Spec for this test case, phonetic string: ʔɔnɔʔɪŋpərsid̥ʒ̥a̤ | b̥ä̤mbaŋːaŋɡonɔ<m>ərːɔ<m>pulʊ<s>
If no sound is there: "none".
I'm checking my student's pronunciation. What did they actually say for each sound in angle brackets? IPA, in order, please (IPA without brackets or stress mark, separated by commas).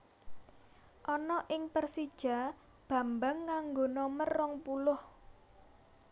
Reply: m, ŋ, h